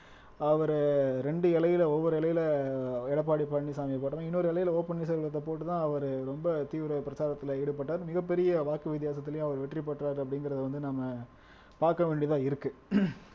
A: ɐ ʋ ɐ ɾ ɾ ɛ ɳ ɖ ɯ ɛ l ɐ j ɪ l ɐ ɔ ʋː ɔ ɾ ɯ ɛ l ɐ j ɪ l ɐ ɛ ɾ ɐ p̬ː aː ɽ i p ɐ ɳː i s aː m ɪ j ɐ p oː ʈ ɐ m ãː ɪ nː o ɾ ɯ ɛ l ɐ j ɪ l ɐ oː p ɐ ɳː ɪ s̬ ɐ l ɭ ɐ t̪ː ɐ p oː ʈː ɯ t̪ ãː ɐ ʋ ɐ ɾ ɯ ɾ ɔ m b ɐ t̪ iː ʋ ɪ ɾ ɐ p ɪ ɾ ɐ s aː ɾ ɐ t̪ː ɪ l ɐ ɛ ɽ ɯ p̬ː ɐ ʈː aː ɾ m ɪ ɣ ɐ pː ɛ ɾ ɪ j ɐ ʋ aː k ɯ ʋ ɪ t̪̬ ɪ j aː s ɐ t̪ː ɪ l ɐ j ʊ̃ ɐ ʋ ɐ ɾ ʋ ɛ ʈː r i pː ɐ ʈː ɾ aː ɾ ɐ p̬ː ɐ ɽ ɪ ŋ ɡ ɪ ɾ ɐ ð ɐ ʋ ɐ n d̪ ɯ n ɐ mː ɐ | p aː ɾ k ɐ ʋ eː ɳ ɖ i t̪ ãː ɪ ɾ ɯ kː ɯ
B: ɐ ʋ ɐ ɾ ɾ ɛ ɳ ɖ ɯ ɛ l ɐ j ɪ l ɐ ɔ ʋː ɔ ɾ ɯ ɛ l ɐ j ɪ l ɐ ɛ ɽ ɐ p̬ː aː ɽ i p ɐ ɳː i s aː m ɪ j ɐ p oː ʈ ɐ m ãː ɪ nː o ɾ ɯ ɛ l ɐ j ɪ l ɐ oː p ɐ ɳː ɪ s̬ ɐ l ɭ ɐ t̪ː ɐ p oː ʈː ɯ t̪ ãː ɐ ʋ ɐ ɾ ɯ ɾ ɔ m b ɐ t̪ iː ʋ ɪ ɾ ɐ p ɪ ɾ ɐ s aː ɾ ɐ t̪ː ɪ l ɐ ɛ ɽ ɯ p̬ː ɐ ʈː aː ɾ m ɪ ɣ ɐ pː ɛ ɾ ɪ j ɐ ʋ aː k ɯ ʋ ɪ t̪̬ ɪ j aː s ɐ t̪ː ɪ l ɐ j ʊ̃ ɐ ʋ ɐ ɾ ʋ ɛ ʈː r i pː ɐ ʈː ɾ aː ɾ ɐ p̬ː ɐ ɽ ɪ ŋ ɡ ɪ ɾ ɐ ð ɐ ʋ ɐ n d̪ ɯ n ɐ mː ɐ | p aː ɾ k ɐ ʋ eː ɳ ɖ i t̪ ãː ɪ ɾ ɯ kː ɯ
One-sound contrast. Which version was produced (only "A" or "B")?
B